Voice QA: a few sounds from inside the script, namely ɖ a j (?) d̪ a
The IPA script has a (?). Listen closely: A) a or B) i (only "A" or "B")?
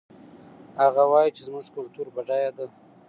A